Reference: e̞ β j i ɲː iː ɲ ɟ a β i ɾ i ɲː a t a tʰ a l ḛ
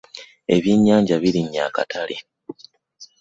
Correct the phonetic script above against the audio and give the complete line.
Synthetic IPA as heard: e̞ β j i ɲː aː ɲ ɟ a β i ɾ i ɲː a k a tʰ a l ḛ

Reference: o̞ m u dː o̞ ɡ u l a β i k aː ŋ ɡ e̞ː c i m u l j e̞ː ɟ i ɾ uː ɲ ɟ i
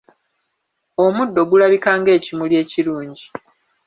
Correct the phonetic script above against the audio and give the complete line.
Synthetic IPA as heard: o̞ m u dː o̞ ɡ u l a β i k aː ŋ ɡ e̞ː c i m u l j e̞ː c i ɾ uː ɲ ɟ i

